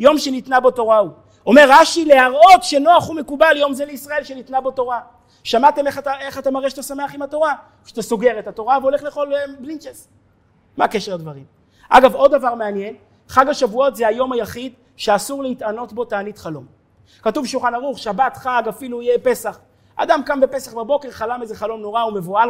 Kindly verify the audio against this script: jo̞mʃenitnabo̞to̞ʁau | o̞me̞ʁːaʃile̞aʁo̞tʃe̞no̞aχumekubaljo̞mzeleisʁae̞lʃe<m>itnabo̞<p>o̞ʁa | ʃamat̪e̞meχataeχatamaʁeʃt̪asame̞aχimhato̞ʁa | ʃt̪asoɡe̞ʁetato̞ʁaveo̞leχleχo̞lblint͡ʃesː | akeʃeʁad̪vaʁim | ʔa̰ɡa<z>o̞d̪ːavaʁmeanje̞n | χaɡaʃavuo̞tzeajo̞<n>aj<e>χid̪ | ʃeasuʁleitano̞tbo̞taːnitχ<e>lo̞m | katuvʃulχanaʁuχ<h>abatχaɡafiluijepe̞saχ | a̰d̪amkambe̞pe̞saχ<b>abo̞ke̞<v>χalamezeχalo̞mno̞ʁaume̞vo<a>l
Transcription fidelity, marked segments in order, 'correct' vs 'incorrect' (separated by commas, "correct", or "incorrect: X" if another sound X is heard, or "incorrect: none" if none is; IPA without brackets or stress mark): incorrect: n, incorrect: t, incorrect: v, incorrect: m, incorrect: a, incorrect: a, incorrect: ʃ, correct, incorrect: ʁ, correct